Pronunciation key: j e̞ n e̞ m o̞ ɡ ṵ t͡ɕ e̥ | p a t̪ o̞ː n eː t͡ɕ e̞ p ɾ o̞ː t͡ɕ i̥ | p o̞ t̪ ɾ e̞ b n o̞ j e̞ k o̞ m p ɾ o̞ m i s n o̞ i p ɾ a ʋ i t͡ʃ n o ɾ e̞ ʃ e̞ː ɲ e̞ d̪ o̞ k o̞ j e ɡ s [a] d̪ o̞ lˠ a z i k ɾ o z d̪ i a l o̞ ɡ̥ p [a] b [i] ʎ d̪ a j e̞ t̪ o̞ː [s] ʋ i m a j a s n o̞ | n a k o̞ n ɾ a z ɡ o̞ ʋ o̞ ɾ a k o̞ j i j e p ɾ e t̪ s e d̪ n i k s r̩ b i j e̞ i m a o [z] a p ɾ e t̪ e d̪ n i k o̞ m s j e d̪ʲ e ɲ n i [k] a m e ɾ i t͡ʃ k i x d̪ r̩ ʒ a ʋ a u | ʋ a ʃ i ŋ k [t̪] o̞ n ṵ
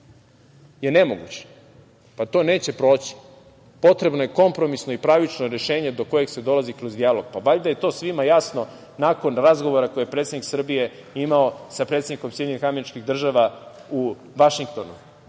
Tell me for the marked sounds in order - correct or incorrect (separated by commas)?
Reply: incorrect, correct, incorrect, correct, incorrect, incorrect, correct